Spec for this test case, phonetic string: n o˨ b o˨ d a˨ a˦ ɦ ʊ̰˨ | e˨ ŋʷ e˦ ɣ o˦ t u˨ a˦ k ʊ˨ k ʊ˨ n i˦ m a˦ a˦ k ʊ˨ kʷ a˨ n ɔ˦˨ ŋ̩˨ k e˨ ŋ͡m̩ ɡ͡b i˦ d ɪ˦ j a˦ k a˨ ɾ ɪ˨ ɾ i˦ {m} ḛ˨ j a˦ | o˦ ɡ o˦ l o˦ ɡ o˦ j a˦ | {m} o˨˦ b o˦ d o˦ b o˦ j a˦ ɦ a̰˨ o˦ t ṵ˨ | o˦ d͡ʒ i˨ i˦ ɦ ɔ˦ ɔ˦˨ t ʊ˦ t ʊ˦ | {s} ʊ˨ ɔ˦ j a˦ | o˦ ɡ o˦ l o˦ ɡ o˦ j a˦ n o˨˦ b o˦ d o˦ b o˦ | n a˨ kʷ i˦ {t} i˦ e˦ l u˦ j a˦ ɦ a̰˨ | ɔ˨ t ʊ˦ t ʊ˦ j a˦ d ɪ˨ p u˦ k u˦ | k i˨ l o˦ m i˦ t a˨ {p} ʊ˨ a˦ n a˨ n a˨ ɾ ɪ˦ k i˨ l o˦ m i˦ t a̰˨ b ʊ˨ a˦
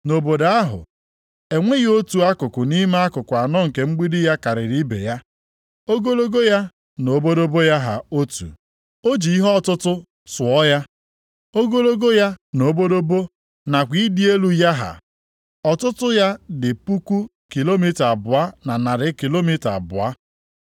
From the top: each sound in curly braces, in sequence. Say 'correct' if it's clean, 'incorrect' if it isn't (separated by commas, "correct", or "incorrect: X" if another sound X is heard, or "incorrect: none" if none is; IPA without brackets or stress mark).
incorrect: b, incorrect: n, correct, incorrect: d, incorrect: b